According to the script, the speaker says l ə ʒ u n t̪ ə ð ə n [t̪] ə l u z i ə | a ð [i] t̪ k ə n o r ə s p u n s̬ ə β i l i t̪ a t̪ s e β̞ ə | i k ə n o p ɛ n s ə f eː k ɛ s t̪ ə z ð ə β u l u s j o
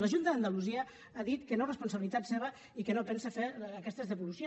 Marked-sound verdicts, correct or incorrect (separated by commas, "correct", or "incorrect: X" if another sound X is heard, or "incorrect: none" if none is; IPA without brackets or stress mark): incorrect: d̪, correct